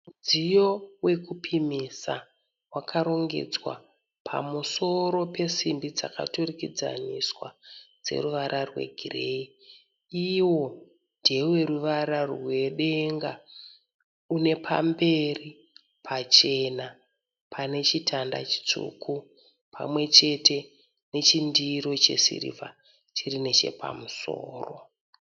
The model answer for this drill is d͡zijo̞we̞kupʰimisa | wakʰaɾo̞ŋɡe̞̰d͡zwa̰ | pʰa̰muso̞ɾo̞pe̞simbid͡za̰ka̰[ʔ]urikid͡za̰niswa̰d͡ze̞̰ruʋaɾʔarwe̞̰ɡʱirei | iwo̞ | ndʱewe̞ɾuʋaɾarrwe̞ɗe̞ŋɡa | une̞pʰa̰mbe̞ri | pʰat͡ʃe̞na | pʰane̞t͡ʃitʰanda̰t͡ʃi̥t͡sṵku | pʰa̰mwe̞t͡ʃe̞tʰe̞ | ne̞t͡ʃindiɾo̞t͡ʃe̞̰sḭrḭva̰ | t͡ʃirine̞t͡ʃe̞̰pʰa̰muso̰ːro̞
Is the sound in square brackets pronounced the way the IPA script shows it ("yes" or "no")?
no